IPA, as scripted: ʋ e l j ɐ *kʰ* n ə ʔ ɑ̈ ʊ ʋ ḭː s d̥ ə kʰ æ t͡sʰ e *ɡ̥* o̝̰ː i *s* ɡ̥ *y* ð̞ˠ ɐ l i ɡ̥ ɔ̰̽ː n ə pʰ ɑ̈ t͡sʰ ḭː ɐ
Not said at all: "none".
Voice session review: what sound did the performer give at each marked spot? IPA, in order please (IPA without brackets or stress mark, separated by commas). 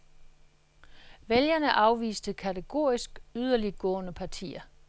none, ɡ̥, s, y